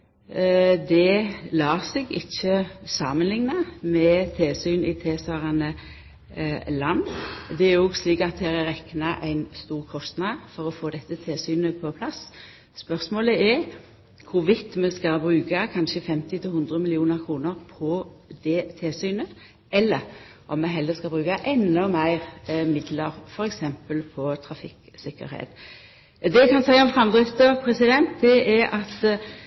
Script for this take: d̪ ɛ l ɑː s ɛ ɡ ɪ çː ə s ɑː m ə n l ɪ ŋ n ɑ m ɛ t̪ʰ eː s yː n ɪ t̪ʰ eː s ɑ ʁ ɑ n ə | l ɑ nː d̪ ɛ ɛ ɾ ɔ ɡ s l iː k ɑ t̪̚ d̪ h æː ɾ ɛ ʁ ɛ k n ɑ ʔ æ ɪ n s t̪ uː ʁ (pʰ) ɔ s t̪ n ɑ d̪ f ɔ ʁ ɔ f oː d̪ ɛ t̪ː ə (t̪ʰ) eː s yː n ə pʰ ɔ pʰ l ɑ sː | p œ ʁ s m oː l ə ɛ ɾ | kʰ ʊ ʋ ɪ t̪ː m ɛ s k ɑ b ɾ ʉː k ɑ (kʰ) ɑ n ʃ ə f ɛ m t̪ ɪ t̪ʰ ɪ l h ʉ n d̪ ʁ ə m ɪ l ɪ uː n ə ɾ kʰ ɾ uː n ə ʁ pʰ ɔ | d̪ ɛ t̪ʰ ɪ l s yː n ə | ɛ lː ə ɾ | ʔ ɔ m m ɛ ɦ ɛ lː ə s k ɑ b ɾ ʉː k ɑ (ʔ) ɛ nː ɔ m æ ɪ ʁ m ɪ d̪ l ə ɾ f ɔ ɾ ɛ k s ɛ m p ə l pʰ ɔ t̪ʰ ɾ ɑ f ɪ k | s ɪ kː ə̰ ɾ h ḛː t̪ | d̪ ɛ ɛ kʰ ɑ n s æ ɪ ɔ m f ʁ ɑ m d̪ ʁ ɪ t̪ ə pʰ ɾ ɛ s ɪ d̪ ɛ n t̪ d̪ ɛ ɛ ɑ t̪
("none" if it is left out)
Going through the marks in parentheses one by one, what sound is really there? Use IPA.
kʰ, t̪ʰ, kʰ, ʔ

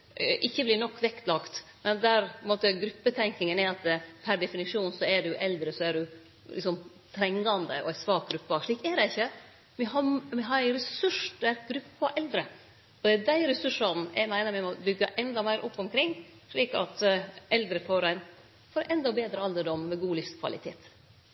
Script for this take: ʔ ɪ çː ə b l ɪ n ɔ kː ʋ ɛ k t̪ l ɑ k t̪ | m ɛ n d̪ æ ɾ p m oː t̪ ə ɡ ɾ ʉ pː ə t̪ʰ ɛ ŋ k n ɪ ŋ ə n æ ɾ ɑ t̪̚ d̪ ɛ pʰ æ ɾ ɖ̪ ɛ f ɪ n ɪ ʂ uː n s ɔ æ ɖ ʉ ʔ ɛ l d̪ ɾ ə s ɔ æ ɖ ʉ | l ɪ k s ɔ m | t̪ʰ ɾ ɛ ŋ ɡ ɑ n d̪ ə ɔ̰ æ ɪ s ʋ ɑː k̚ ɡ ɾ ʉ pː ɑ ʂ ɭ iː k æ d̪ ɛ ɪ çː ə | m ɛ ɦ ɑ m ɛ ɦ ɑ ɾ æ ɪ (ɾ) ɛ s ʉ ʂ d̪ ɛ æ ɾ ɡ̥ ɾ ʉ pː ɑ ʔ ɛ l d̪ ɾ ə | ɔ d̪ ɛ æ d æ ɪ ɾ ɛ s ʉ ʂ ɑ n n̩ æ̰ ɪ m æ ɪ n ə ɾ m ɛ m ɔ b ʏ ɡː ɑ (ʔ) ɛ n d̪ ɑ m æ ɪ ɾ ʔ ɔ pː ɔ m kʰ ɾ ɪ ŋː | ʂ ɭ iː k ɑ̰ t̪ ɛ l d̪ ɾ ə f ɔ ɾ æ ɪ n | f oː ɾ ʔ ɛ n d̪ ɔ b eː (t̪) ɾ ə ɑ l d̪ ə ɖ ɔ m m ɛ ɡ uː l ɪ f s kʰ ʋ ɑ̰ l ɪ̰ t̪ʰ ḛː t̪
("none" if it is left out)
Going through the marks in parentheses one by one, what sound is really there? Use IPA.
ɾ, ʔ, d̪

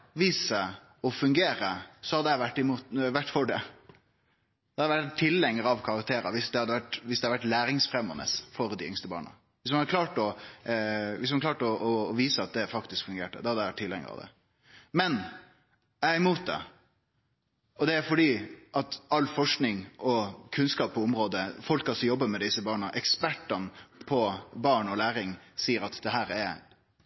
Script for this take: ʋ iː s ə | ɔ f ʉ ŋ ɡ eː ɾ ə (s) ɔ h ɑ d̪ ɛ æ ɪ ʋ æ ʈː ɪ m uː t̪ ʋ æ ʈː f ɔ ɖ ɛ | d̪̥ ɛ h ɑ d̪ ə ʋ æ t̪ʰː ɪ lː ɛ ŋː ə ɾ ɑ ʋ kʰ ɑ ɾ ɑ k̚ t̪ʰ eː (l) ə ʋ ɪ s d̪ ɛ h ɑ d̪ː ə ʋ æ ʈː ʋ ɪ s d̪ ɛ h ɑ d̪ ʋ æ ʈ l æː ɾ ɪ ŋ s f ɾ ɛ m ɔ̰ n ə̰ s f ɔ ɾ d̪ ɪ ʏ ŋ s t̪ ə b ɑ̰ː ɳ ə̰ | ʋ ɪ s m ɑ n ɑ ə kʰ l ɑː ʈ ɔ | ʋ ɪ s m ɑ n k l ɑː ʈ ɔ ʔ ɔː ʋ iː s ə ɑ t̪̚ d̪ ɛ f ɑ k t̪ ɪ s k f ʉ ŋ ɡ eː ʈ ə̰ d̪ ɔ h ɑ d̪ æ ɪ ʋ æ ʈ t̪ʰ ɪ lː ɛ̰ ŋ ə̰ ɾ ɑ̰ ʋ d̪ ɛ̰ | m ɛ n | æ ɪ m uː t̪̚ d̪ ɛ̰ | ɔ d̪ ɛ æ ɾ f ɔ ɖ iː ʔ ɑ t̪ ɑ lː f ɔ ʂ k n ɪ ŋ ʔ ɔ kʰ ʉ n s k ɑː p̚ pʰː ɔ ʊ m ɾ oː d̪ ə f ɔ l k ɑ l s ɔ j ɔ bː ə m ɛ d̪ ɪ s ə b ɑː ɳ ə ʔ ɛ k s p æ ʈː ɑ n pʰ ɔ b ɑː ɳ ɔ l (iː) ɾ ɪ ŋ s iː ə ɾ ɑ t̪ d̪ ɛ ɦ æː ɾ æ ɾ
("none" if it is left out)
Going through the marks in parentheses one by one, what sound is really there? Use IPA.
s, ɾ, æː

